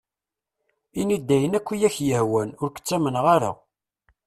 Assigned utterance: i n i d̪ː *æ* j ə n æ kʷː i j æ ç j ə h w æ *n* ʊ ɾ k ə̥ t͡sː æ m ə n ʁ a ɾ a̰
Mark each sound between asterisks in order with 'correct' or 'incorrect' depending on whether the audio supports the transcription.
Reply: correct, correct

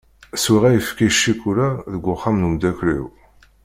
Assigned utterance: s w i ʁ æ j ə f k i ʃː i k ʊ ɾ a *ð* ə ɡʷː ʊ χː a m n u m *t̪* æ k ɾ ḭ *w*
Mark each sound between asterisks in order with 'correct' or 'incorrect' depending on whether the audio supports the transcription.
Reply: correct, incorrect: d̪, correct

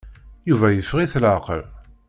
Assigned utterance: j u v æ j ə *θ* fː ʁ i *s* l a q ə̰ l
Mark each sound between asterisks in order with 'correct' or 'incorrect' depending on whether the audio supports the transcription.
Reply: incorrect: none, incorrect: θ

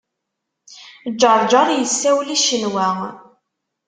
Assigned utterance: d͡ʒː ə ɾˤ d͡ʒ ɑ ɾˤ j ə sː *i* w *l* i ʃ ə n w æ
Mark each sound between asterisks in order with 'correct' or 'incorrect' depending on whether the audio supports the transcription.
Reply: incorrect: æ, correct

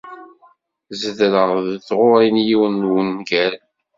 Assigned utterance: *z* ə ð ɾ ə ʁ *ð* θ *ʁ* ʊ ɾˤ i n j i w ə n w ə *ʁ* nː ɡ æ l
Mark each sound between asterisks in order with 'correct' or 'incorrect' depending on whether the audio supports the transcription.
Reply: correct, correct, correct, incorrect: none

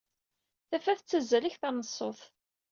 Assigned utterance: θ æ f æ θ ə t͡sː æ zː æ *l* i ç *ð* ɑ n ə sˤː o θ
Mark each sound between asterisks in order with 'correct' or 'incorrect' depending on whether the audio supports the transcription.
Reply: correct, incorrect: θ

